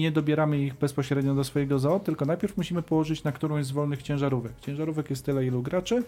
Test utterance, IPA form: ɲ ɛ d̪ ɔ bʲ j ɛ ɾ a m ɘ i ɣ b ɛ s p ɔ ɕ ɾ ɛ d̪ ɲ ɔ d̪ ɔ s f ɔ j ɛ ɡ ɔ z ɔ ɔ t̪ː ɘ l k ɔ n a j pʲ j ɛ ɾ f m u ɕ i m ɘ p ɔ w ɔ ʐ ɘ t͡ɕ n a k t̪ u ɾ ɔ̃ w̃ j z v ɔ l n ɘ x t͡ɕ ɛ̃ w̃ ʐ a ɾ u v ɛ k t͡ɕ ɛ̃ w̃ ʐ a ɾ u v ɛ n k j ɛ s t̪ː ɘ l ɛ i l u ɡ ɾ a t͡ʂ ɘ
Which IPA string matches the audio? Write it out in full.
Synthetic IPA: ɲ ɛ d̪ ɔ bʲ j ɛ ɾ a m ɘ i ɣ b ɛ s p ɔ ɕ ɾ ɛ d̪ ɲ ɔ d̪ ɔ s f ɔ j ɛ ɡ ɔ z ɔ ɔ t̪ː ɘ l k ɔ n a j pʲ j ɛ ɾ f m u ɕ i m ɘ p ɔ w ɔ ʐ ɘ t͡ɕ n a k t̪ u ɾ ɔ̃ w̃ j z v ɔ l n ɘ x t͡ɕ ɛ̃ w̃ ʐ a ɾ u v ɛ k t͡ɕ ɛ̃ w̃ ʐ a ɾ u v ɛ k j ɛ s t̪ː ɘ l ɛ i l u ɡ ɾ a t͡ʂ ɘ